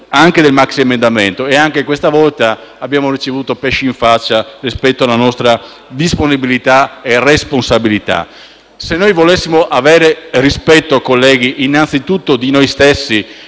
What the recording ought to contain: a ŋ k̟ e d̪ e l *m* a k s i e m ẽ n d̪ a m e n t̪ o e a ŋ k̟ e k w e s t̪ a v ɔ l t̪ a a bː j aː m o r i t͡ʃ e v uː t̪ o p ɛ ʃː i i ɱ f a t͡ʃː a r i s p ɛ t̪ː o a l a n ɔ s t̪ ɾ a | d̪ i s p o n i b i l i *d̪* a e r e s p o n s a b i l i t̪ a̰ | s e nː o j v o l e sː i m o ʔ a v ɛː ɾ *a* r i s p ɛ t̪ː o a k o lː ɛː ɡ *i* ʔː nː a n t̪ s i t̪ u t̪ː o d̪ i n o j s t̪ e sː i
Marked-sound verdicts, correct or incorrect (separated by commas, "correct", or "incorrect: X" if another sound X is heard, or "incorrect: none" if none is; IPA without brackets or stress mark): correct, incorrect: t̪, incorrect: e, correct